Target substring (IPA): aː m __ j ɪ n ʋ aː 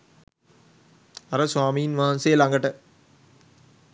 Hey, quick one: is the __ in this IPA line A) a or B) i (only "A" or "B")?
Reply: B